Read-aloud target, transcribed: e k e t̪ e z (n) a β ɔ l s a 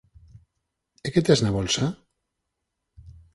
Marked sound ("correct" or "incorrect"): correct